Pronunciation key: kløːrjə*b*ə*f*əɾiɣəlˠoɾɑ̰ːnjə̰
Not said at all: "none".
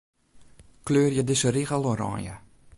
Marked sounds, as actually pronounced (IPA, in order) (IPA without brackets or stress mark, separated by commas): d, s